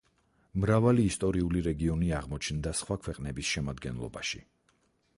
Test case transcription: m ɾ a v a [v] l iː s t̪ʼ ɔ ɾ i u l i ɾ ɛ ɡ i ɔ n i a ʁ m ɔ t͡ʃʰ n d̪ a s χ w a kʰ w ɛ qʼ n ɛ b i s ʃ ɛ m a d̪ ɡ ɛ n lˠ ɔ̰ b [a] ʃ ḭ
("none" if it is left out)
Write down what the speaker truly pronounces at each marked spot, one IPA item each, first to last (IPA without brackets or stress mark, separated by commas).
none, a